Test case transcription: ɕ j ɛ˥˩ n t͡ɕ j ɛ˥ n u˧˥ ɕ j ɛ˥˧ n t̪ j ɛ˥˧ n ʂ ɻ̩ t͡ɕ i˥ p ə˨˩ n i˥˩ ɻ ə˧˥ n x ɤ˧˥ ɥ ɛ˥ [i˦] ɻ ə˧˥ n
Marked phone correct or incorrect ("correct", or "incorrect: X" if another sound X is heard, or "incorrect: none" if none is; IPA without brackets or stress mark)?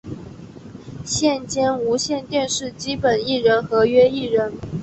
incorrect: i˥˩